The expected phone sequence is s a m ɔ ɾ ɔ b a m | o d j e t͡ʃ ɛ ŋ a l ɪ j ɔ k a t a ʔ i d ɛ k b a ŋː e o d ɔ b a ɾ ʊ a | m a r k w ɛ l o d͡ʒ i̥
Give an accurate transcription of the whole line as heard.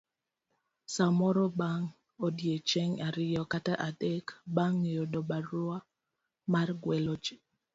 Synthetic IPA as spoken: s a m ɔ ɾ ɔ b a ŋ | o d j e t͡ʃ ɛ ŋ a ɾ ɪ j ɔ k a t a ʔ a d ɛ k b a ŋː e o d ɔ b a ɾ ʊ a | m a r ɡ w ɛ l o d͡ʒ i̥